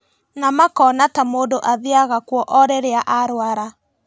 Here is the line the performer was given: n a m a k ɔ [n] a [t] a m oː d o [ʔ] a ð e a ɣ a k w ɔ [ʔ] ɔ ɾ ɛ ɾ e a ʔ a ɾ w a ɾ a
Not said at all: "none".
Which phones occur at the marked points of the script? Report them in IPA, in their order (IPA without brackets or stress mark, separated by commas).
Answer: n, t, ʔ, ʔ